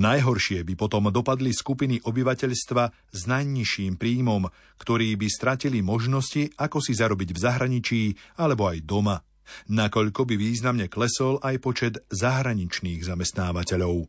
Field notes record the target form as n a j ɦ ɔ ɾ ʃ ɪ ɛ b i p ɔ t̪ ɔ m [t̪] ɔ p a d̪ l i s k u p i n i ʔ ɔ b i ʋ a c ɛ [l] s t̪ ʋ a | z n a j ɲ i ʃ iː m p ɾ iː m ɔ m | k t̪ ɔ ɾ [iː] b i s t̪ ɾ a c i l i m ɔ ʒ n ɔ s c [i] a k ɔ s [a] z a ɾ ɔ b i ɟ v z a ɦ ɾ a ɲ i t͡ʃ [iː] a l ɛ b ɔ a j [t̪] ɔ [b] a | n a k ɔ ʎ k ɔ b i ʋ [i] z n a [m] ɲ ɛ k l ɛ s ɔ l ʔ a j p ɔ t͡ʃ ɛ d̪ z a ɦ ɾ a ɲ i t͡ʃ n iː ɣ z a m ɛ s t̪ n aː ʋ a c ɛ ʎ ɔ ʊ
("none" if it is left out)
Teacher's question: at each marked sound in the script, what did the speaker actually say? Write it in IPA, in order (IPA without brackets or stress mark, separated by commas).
d̪, ʎ, iː, i, i, iː, d̪, m, iː, m